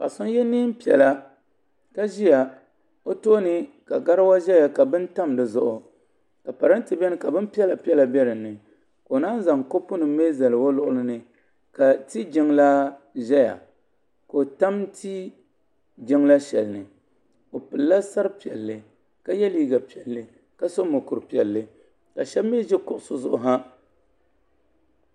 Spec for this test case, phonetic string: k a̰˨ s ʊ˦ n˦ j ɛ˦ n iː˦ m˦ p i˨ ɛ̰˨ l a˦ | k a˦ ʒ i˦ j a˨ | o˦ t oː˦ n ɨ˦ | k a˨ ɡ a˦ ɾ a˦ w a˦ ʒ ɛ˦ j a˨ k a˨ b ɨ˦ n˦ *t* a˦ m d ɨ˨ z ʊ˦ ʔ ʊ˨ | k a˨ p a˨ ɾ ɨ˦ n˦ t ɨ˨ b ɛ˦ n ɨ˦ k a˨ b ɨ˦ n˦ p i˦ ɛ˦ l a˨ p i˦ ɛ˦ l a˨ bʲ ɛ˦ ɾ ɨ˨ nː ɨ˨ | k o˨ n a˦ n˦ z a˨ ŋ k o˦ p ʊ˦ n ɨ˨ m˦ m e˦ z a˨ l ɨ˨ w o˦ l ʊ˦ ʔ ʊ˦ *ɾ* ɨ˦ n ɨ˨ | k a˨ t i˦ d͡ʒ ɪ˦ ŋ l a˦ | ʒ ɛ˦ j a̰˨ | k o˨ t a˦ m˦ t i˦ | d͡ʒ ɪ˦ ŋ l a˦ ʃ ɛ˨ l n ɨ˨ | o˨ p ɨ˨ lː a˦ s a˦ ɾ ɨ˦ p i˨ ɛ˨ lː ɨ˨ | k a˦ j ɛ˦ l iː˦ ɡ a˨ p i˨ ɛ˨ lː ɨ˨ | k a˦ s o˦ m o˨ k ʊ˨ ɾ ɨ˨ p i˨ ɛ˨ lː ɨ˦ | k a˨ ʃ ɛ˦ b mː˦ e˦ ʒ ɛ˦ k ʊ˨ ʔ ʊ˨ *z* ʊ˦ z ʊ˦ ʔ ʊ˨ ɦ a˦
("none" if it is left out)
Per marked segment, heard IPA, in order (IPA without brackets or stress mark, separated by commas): t, l, s